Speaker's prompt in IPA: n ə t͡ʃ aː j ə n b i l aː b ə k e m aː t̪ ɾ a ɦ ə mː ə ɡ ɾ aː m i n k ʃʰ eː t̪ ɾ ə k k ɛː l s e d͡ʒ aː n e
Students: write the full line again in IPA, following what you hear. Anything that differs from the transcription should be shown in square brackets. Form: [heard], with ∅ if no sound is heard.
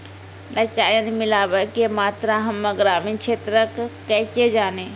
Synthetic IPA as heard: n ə t͡ʃ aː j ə n [m] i l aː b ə k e m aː t̪ ɾ a ɦ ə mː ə ɡ ɾ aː m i n k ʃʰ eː t̪ ɾ ə k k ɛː [∅] s e d͡ʒ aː n e